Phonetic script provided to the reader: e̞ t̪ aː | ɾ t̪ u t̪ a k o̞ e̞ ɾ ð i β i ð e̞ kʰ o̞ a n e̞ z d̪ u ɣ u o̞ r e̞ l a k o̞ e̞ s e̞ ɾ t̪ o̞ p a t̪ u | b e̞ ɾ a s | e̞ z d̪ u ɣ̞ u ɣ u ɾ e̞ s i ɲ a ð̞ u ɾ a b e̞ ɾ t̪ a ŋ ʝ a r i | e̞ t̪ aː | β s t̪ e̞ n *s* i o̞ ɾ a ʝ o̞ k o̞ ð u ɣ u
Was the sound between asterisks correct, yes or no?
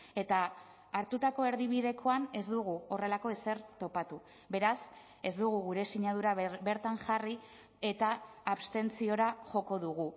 no